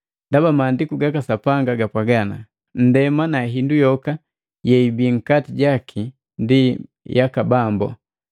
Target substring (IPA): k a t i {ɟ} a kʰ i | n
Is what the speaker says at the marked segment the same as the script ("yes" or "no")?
yes